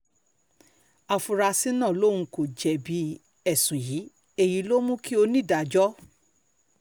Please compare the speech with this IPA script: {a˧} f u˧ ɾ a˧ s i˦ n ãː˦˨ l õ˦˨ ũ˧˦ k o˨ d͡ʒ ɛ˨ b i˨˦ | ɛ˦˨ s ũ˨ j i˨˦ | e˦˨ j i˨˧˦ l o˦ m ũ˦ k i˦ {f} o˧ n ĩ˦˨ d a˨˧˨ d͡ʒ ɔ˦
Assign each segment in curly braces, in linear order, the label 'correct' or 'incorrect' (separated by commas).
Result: correct, incorrect